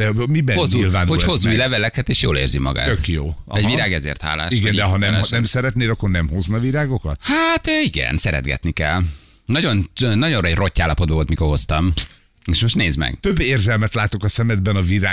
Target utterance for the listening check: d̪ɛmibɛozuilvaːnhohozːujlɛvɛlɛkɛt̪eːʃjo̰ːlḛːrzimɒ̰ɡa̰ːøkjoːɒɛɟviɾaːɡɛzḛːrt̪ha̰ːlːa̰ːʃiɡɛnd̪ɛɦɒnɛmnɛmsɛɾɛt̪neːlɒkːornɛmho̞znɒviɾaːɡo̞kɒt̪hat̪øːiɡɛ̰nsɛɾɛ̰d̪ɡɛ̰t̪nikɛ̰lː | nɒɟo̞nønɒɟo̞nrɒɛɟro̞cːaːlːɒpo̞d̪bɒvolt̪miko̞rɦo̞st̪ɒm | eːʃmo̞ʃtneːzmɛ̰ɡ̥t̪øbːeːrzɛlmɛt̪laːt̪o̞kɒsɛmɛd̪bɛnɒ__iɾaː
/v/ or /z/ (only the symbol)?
v